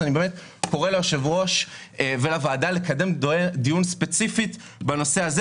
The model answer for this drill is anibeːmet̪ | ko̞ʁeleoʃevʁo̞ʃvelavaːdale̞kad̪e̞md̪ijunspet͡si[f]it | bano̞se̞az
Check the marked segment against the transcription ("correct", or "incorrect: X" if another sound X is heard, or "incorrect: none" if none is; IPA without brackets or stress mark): correct